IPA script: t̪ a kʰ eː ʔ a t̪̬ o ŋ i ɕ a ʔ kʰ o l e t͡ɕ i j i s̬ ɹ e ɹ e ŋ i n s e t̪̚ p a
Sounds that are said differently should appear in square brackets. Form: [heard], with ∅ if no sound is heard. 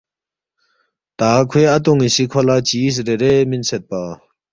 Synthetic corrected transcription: t̪ a kʰ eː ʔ a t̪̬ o ŋ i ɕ [i] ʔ kʰ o l [a] t͡ɕ i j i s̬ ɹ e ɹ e [m] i n s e t̪̚ p a